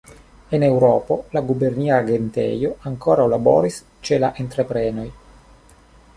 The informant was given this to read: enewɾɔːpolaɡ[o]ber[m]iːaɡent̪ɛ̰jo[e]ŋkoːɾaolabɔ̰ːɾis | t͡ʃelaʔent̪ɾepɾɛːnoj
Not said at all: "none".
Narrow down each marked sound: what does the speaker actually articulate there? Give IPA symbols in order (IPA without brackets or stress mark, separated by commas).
u, n, a